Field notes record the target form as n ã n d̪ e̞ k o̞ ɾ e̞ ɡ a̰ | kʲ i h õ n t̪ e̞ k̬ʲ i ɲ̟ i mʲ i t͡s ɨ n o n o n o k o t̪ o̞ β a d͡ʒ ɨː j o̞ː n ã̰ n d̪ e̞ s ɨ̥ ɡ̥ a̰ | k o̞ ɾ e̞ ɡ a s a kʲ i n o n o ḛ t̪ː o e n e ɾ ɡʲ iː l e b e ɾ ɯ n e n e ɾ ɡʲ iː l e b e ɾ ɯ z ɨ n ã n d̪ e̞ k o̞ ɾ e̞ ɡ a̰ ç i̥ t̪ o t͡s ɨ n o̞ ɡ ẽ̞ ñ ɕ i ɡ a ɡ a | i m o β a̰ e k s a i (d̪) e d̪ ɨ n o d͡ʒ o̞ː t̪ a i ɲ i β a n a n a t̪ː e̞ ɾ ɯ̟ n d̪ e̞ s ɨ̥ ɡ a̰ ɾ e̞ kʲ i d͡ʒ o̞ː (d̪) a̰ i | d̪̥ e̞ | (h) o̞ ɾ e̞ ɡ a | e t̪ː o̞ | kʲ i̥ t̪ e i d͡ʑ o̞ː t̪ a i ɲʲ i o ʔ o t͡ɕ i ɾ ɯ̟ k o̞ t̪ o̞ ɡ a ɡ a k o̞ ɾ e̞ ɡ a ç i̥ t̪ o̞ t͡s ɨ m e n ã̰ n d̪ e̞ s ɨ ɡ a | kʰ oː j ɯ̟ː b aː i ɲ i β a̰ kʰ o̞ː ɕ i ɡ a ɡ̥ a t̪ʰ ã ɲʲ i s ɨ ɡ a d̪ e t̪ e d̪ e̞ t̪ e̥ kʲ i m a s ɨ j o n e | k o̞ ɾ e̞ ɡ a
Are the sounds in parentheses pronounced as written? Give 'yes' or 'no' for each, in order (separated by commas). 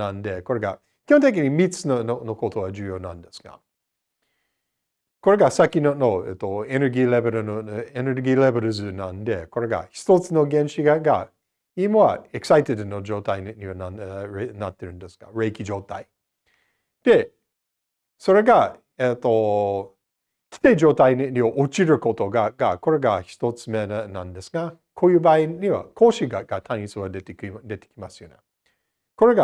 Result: no, no, no